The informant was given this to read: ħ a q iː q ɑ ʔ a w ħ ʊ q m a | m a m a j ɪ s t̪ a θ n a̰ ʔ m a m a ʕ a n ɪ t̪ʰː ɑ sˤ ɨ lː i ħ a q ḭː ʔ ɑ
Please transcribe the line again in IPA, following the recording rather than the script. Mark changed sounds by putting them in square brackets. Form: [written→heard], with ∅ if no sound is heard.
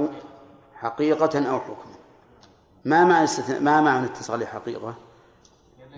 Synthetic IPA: ħ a q iː q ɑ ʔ a w ħ ʊ [q→k] m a | m a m a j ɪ s t̪ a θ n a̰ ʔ m a m a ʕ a n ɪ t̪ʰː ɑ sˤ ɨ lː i ħ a q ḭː [ʔ→q] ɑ